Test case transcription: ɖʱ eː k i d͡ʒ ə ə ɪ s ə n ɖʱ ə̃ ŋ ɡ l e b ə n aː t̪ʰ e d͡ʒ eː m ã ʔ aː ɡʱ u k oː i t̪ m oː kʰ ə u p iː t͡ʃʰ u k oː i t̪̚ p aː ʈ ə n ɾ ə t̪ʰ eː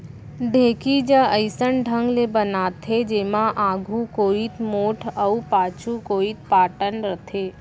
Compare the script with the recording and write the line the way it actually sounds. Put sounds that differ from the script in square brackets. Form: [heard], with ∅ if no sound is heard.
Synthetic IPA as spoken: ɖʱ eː k i d͡ʒ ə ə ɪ s ə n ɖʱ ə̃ ŋ ɡ l e b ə n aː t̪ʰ e d͡ʒ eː m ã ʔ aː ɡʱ u k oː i t̪ m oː [ʈʰ] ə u p [aː] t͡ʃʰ u k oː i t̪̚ p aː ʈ ə n ɾ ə t̪ʰ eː